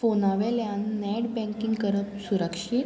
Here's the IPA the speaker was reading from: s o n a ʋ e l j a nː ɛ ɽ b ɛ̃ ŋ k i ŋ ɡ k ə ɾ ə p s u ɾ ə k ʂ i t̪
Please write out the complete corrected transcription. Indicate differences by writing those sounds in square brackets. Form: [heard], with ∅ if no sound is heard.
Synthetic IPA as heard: [f] o n a ʋ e l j a nː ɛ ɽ b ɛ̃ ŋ k i ŋ ɡ k ə ɾ ə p s u ɾ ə k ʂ i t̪